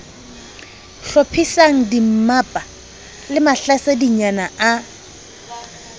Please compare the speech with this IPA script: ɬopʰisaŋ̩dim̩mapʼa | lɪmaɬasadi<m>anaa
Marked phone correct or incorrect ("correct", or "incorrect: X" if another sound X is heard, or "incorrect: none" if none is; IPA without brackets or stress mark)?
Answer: incorrect: ɲ